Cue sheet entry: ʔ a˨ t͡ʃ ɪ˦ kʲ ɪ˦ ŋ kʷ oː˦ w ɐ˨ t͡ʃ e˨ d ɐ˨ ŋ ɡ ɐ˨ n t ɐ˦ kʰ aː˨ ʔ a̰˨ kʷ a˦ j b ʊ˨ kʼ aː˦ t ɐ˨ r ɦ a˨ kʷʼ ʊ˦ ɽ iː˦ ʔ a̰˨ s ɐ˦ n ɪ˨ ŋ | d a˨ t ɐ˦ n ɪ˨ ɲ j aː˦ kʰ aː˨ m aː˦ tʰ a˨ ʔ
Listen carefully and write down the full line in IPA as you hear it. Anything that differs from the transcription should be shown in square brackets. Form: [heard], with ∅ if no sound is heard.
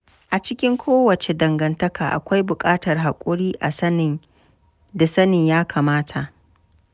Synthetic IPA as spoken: ʔ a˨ t͡ʃ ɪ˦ kʲ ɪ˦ ŋ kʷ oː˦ w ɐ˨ t͡ʃ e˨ d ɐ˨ ŋ ɡ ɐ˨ n t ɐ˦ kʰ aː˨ ʔ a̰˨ kʷ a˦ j b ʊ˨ kʼ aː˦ t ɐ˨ r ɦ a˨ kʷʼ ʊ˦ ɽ iː˦ ʔ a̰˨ s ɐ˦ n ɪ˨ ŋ | d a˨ [s] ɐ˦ n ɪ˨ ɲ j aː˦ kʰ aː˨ m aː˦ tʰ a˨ ʔ